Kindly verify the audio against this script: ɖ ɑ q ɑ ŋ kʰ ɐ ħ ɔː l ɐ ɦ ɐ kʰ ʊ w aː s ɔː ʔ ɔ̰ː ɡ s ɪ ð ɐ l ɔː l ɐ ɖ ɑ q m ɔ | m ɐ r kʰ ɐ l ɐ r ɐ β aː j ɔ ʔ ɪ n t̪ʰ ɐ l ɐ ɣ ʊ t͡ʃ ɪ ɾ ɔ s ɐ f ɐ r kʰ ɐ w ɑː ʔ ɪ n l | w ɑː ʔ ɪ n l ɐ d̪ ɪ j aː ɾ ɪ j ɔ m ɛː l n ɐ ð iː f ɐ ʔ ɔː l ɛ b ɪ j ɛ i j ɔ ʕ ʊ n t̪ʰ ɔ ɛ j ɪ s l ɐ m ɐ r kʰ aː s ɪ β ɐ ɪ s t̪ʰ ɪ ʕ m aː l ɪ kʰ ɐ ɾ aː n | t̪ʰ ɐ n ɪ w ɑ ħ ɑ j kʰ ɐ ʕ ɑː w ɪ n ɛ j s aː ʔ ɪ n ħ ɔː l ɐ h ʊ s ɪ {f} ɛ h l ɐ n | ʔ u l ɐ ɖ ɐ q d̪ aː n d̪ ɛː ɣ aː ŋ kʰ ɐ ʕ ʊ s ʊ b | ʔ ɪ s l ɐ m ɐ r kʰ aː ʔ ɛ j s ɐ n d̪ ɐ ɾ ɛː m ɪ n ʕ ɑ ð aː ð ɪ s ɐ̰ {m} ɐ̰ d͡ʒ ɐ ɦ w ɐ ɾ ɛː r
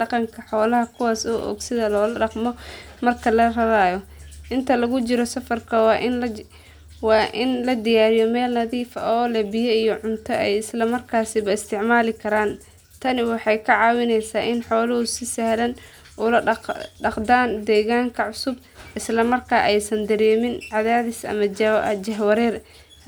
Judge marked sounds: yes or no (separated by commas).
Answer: no, yes